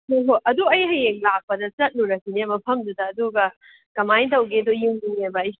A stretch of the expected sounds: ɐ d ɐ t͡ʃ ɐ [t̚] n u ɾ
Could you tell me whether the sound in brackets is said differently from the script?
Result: no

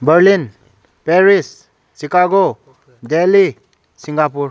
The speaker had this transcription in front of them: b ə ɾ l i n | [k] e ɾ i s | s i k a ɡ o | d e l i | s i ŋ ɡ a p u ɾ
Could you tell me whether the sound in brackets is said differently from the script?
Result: yes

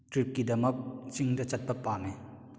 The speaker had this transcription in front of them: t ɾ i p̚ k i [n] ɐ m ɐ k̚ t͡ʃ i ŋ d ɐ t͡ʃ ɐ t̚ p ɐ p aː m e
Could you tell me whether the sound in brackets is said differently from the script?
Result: yes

